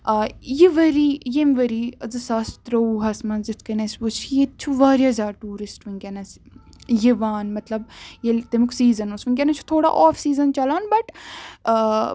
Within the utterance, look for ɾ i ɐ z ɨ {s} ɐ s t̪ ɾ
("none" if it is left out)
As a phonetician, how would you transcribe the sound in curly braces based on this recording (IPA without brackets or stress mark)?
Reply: s